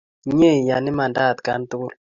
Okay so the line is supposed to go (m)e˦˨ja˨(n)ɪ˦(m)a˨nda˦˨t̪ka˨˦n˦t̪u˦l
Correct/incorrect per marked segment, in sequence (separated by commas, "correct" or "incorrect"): incorrect, correct, correct